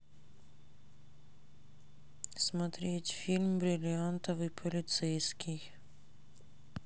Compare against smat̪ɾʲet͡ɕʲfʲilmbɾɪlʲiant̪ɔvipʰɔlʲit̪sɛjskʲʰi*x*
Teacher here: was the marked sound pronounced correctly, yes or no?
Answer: yes